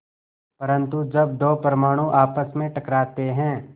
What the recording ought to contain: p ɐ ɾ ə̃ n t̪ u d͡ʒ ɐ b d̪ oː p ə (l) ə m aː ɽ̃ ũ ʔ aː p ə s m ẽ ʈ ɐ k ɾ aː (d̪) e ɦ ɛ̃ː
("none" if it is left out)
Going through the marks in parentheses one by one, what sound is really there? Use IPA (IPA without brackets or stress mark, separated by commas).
ɾ, t̪